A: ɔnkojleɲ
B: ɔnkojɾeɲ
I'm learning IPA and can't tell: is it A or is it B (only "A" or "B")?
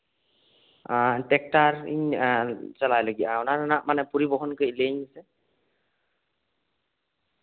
A